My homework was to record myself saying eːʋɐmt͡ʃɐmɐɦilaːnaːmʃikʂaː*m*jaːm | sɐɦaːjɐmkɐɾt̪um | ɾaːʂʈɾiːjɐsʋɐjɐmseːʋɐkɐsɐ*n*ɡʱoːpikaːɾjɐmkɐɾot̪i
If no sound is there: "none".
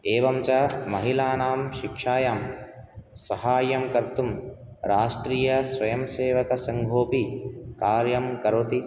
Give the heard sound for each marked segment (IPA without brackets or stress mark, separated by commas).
none, ŋ